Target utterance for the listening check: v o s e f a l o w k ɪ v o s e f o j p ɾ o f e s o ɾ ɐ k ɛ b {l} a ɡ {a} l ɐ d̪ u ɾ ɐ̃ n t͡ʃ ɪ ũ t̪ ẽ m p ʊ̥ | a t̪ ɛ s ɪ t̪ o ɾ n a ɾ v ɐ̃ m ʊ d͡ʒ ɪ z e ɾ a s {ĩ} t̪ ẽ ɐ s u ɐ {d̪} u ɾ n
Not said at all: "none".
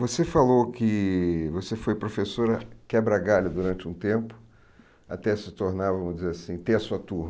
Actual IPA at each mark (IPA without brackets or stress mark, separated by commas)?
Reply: ɾ, a, ĩ, t̪